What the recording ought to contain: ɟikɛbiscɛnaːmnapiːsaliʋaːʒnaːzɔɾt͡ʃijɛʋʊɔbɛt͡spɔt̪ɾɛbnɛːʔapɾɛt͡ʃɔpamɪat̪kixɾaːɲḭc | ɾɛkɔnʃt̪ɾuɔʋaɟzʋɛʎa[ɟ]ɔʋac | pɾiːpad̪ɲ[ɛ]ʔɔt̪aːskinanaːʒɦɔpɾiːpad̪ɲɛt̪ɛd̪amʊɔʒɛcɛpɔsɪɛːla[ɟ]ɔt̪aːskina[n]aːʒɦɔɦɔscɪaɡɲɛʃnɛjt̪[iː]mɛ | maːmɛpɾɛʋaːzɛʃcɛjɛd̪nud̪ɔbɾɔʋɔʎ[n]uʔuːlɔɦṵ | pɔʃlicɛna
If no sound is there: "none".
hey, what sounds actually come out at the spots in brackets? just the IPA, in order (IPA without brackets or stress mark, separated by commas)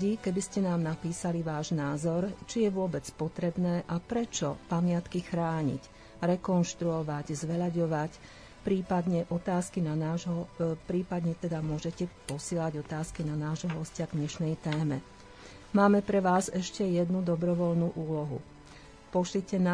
ɟ, ɛ, ɟ, n, ɛː, n